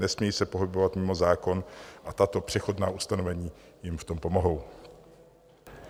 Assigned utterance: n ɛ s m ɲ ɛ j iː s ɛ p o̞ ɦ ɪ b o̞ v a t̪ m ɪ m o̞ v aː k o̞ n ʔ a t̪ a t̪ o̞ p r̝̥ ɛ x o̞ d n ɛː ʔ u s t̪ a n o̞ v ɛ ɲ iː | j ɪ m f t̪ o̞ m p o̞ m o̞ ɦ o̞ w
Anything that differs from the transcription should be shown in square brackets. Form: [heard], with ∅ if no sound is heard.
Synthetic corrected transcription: n ɛ s m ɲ ɛ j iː s ɛ p o̞ ɦ ɪ b o̞ v a t̪ m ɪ m o̞ [z] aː k o̞ n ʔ a t̪ a t̪ o̞ p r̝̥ ɛ x o̞ d n [aː] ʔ u s t̪ a n o̞ v ɛ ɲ iː | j ɪ m f t̪ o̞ m p o̞ m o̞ ɦ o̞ w